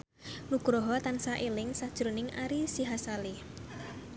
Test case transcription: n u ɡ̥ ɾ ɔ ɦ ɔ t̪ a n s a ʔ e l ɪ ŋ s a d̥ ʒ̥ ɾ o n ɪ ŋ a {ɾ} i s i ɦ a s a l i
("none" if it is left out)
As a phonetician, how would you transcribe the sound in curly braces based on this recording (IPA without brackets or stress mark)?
ɾ